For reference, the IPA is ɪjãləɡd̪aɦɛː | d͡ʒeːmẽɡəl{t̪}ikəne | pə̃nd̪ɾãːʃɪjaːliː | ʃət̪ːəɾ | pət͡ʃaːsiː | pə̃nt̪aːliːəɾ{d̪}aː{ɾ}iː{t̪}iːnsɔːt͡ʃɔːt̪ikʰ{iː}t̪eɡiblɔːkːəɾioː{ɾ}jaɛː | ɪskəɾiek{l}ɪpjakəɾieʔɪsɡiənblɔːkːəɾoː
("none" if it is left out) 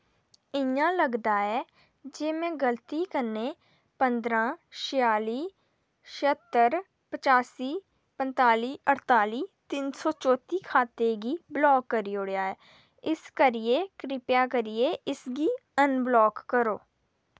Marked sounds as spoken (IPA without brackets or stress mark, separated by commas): t̪, t̪, l, t̪, aː, ɽ, ɾ